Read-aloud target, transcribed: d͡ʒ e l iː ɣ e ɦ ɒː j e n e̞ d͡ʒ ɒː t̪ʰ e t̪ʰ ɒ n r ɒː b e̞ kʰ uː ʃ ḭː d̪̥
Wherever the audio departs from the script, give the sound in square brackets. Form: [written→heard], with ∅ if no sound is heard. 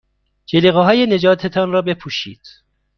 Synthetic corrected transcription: d͡ʒ e l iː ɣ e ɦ ɒː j e n e̞ d͡ʒ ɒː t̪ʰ e t̪ʰ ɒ n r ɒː b e̞ [kʰ→pʰ] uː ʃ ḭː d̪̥